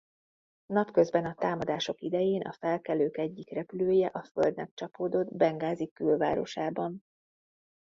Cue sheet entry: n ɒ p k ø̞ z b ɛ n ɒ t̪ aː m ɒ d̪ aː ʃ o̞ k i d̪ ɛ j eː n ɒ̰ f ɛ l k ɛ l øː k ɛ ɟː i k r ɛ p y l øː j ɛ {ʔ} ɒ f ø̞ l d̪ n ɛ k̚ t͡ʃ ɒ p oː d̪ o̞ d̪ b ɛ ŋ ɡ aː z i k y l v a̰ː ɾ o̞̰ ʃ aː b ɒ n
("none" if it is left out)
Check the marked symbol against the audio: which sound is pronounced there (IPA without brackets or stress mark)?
ʔ